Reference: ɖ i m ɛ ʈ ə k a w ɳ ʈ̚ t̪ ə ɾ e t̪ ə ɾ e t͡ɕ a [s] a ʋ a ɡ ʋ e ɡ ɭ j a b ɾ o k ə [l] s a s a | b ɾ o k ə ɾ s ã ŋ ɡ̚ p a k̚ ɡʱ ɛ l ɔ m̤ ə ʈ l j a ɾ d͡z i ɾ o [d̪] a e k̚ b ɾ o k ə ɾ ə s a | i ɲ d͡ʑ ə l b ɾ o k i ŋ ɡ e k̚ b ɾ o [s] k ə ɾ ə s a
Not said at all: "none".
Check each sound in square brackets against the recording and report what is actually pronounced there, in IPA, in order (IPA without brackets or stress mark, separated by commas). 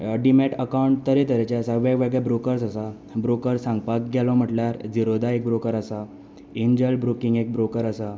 s, ɾ, d̪, none